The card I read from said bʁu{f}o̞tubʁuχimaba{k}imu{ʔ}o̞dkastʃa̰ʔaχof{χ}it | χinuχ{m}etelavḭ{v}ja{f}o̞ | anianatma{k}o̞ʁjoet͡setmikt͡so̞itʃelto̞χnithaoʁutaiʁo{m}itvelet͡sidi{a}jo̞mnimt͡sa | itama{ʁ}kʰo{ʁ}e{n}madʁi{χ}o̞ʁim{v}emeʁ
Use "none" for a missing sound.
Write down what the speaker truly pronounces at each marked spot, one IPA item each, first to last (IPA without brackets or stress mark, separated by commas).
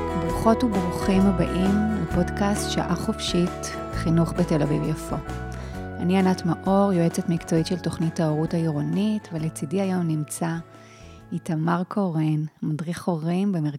χ, ʔ, p, ʃ, b, v, f, ʔ, n, a, ʁ, ʁ, n, χ, b